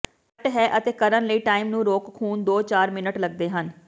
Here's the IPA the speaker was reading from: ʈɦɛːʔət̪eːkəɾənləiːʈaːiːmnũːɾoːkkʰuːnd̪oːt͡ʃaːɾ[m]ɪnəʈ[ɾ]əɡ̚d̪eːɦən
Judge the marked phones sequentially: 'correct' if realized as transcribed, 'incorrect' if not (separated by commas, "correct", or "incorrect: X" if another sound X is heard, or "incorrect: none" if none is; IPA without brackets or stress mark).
correct, incorrect: l